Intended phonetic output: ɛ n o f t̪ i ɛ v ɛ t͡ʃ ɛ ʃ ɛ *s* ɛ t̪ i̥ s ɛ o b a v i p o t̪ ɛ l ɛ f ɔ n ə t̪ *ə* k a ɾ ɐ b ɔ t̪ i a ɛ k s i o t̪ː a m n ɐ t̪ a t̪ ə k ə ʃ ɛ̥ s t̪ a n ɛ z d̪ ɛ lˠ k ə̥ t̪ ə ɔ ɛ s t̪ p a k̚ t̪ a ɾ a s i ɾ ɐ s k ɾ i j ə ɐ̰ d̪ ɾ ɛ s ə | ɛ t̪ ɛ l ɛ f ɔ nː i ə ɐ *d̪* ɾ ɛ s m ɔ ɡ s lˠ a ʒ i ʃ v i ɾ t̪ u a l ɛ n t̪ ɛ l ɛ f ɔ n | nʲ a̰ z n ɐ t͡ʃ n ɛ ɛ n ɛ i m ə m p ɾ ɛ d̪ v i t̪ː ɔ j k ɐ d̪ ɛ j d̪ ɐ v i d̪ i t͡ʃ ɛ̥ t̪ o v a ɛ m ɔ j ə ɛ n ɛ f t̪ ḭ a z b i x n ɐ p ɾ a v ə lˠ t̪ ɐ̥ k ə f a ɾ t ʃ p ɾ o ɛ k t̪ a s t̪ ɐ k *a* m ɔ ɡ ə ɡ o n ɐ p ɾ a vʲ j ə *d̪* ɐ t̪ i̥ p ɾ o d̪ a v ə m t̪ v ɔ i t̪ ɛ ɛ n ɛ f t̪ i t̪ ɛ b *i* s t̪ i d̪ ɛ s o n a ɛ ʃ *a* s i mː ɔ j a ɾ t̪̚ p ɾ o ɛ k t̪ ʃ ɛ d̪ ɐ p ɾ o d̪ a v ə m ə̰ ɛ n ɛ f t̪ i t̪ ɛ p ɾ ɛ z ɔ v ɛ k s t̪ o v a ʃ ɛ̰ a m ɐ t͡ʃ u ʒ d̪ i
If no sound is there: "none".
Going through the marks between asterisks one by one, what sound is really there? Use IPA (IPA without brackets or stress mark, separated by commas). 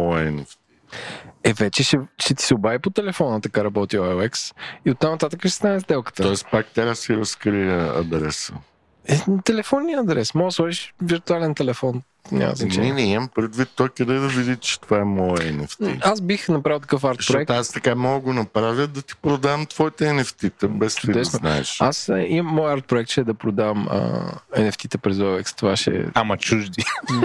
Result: ʃ, ɐ, d̪, a, d̪, ɛ, a